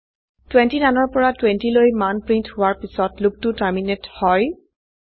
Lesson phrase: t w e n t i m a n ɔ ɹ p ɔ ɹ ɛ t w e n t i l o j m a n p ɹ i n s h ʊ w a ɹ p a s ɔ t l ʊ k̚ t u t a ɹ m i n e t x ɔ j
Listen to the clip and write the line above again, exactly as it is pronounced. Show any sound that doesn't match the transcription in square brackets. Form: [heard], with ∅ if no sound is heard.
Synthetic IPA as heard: t w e n t i [n] a n ɔ ɹ p ɔ ɹ [a] t w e n t i l o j m a n p ɹ i n [t] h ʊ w a ɹ p [i] s ɔ t l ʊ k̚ t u t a ɹ m i n e t [h] ɔ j

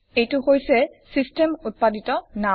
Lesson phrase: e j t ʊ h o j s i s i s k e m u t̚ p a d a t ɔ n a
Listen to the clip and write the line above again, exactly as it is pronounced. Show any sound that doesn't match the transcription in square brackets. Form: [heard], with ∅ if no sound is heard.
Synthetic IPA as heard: e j t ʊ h o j s [ɛ] s i s [t] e m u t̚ p a d [i] t ɔ n a

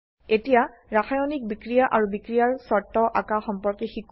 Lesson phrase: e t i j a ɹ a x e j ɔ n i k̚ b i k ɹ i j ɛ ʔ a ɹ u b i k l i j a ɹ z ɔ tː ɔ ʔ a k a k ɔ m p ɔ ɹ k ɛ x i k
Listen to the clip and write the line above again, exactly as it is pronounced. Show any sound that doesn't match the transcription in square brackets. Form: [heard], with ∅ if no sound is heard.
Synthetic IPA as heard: e t i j a ɹ a x [a] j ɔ n i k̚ b i k ɹ i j [a] ʔ a ɹ u b i k [ɹ] i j a ɹ [s] ɔ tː ɔ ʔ a k a [x] ɔ m p ɔ ɹ k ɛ x i k

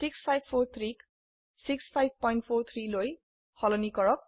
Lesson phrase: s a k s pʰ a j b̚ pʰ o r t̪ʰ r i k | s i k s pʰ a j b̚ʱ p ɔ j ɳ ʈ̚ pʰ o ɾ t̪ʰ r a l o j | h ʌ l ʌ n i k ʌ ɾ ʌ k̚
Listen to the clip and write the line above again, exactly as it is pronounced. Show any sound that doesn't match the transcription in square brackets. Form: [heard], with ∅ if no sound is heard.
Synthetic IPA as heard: s [i] k s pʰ a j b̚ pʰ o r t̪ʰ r i k | s i k s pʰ a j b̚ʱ p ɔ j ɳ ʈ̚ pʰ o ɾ t̪ʰ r [i] l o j | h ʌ l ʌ n i k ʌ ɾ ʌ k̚

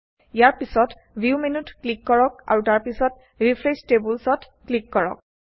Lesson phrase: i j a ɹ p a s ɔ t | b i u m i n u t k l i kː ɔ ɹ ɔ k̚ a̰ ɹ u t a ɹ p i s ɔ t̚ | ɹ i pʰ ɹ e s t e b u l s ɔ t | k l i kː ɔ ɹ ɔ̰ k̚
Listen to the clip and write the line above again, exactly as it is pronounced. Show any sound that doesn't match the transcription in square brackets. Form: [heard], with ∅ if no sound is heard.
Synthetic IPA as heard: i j a ɹ p [i] s ɔ t | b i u m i n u t k l i kː ɔ ɹ ɔ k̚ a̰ ɹ u t a ɹ p i s ɔ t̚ | ɹ i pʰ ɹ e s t e b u l s ɔ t | k l i kː ɔ ɹ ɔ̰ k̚

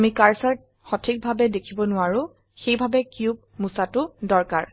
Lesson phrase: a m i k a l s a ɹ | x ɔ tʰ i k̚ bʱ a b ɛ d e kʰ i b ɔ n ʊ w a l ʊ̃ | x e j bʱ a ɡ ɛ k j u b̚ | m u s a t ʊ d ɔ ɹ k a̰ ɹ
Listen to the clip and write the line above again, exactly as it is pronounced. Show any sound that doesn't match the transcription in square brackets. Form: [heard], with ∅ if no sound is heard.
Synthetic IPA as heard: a m i k a [ɹ] s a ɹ | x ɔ tʰ i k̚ bʱ a b ɛ d e kʰ i b ɔ n ʊ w a [ɹ] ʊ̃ | x e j bʱ a [b] ɛ k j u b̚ | m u s a t ʊ d ɔ ɹ k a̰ ɹ

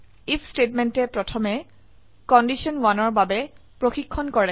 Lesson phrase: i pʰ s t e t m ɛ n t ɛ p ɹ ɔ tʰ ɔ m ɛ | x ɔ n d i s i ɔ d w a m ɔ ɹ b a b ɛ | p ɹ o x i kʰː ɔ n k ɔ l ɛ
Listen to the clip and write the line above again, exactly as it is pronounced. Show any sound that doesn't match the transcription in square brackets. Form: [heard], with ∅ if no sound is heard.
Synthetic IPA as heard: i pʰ s t e t m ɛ n t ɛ p ɹ ɔ tʰ ɔ m ɛ | [k] ɔ n d i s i ɔ [n] w a [n] ɔ ɹ b a b ɛ | p ɹ o x i kʰː ɔ n k ɔ [ɹ] ɛ

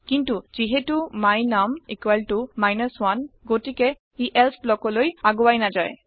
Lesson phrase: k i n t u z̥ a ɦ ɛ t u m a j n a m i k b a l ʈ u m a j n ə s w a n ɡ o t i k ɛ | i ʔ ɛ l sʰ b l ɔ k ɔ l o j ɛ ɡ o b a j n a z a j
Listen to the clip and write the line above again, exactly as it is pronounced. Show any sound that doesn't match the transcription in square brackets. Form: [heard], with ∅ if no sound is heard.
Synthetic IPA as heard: k i n t u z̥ [i] ɦ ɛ t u m a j n a m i k [w] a l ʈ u m a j n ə s w a n ɡ o t i k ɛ | i ʔ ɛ l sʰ b l ɔ k ɔ l o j [a] ɡ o [w] a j n a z a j

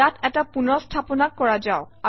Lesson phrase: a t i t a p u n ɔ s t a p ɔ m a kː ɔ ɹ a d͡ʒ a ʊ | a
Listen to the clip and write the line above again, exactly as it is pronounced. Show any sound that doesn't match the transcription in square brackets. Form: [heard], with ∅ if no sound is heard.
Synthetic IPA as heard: a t [ɛ] t a p u n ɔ s [tʰ] a p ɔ [n] a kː ɔ ɹ a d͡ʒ a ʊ | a

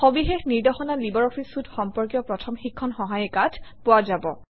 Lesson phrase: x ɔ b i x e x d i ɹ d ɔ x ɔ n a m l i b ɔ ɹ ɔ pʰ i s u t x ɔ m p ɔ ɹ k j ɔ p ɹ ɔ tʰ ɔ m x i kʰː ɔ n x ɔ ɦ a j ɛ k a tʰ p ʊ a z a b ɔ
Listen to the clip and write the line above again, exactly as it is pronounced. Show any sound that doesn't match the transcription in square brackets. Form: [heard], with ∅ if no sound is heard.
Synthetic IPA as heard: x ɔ b i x e x [n] i ɹ d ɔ x ɔ n a [∅] l i b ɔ ɹ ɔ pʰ i s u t x ɔ m p ɔ ɹ k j ɔ p ɹ ɔ tʰ ɔ m x i kʰː ɔ n x ɔ ɦ a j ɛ k a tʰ p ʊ a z a b ɔ

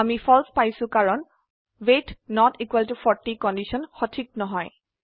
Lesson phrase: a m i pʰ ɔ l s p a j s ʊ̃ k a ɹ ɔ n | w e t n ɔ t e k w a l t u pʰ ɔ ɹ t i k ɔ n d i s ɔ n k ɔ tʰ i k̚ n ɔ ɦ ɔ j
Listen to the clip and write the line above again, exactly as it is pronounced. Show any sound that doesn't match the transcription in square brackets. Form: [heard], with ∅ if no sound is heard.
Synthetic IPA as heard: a m i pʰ ɔ l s p a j s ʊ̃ k a ɹ ɔ n | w e t n ɔ t [i] k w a l t u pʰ ɔ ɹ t i k ɔ n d i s ɔ n [x] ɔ tʰ i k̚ n ɔ ɦ ɔ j

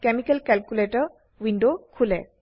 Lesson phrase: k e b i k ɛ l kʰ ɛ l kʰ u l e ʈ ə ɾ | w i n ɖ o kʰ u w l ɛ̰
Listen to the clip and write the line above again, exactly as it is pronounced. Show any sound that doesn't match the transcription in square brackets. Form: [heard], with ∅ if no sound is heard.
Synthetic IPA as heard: k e [m] i k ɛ l [k] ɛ l [k] u l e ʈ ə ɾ | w i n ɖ o kʰ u [∅] l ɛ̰

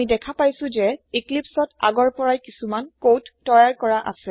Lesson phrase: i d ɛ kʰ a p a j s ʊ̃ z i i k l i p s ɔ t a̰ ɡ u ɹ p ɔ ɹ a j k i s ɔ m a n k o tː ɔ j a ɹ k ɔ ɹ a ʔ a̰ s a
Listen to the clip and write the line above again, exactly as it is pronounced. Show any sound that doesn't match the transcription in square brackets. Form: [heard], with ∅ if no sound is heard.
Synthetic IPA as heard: i d ɛ kʰ a p a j s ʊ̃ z [ɛ] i k l i p s ɔ t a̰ ɡ [ɔ] ɹ p ɔ ɹ a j k i s [u] m a n k o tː ɔ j a ɹ k ɔ ɹ a ʔ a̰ s [ɛ]

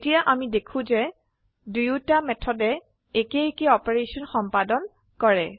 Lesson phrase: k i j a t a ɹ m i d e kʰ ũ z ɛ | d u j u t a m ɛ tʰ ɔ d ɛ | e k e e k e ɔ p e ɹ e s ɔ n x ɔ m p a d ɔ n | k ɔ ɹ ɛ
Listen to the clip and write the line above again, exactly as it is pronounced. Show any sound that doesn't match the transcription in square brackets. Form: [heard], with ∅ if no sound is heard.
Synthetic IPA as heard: [t] i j a [ʔ] a [∅] m i d e kʰ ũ z ɛ | d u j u t a m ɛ tʰ ɔ d ɛ | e k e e k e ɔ p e ɹ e s ɔ n x ɔ m p a d ɔ n | k ɔ ɹ ɛ

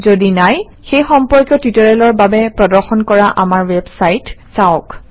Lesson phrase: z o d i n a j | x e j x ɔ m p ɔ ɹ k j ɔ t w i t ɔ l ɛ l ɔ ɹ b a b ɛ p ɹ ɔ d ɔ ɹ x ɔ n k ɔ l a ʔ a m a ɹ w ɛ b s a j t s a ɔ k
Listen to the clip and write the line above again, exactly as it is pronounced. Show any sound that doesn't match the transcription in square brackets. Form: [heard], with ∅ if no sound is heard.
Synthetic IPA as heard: z o d i n a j | x e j x ɔ m p ɔ ɹ k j ɔ t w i t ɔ [ɹ] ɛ l ɔ ɹ b a b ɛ p ɹ ɔ d ɔ ɹ x ɔ n k ɔ [ɹ] a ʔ a m a ɹ w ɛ b s a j t s a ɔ k

